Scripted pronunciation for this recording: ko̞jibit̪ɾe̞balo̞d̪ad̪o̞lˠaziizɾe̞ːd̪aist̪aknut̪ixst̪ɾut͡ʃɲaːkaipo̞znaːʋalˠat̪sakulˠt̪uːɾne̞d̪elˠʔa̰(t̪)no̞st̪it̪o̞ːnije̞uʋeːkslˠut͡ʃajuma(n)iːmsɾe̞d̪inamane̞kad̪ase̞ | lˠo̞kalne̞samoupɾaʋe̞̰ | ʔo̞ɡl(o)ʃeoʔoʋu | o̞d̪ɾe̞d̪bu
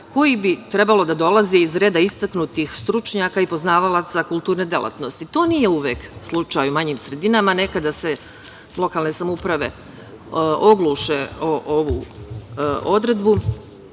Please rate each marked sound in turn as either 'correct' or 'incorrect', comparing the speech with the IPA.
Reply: correct, incorrect: ɲ, incorrect: u

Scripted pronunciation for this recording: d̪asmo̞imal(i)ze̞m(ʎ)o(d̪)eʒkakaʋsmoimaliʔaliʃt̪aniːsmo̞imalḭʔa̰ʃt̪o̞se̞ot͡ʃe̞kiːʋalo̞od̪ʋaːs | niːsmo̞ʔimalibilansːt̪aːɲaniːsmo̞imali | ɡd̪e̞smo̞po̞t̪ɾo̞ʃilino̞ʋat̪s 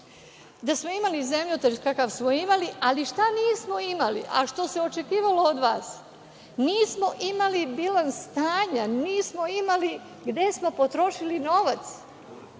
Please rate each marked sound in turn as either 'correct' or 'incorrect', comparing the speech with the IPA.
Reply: correct, correct, incorrect: t̪

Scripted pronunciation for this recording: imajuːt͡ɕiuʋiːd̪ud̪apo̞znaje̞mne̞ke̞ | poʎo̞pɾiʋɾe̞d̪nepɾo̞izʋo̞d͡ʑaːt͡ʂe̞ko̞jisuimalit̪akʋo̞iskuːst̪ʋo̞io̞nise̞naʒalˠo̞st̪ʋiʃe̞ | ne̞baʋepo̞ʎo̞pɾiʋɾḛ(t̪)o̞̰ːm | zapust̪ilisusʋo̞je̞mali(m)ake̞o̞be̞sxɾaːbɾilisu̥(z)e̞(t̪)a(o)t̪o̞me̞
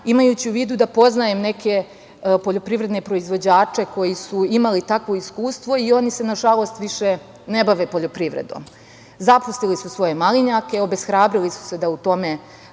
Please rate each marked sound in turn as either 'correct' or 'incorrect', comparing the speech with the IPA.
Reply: incorrect: d̪, incorrect: ɲ, incorrect: s, incorrect: d̪, incorrect: u

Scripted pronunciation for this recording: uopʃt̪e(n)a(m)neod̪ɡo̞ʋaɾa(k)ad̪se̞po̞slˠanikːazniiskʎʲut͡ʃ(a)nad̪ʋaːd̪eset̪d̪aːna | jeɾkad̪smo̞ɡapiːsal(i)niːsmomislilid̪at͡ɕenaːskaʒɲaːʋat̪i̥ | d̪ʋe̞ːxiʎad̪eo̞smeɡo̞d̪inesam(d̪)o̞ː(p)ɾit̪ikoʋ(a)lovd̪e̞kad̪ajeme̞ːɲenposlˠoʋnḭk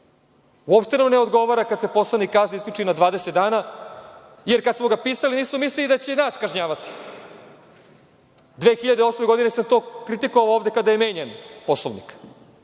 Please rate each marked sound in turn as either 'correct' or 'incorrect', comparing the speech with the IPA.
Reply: correct, correct, correct, incorrect: i, correct, incorrect: t̪, incorrect: k, correct

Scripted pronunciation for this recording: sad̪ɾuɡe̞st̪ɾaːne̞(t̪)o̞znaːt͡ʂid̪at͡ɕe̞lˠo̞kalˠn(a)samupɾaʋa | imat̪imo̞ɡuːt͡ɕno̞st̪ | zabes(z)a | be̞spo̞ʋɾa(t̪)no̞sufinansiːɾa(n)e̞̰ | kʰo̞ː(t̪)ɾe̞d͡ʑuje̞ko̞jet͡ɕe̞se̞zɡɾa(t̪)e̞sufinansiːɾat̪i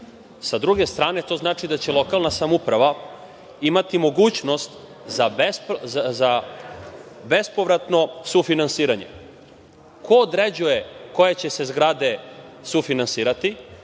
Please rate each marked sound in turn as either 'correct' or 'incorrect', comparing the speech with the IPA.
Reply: correct, correct, correct, correct, incorrect: ɲ, incorrect: d̪, incorrect: d̪

